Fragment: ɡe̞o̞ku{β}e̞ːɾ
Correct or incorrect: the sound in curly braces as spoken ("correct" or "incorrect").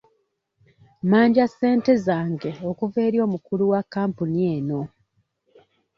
incorrect